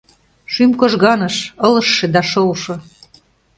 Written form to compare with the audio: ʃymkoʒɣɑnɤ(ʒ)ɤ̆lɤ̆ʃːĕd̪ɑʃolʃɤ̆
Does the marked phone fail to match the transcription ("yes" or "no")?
yes